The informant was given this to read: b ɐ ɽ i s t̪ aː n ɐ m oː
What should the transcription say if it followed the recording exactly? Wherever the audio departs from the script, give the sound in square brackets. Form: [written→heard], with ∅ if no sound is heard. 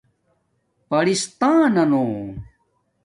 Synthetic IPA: [b→p] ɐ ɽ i s t̪ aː n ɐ [m→n] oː